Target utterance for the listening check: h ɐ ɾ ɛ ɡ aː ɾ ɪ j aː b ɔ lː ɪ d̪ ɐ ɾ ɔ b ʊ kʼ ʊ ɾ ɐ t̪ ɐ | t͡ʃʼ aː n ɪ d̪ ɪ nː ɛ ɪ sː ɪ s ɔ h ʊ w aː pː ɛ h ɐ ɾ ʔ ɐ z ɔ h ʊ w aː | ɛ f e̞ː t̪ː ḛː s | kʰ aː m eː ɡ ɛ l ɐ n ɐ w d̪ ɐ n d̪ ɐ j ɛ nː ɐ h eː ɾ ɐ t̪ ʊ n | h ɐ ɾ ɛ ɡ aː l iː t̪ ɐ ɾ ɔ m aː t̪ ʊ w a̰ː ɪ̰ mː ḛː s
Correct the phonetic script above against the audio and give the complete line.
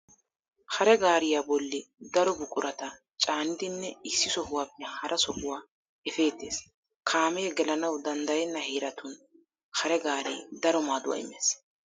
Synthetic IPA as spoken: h ɐ ɾ ɛ ɡ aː ɾ ɪ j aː b ɔ lː ɪ d̪ ɐ ɾ ɔ b ʊ kʼ ʊ ɾ ɐ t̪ ɐ | t͡ʃʼ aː n ɪ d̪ ɪ nː ɛ ɪ sː ɪ s ɔ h ʊ w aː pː ɛ h ɐ ɾ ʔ ɐ s ɔ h ʊ w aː | ɛ f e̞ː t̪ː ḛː s | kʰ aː m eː ɡ ɛ l ɐ n ɐ w d̪ ɐ n d̪ ɐ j ɛ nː ɐ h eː ɾ ɐ t̪ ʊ n | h ɐ ɾ ɛ ɡ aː ɾ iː d̪ ɐ ɾ ɔ m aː d̪ ʊ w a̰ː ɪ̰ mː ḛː s